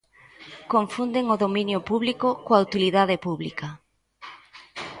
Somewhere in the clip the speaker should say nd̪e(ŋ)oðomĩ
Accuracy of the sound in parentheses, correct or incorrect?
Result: correct